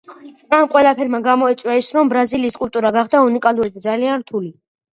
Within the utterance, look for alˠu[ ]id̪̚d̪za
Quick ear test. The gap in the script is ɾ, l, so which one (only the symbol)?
ɾ